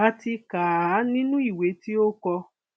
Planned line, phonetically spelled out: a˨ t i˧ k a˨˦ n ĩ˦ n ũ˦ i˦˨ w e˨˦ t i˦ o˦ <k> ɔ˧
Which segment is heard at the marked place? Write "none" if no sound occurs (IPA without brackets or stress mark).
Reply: k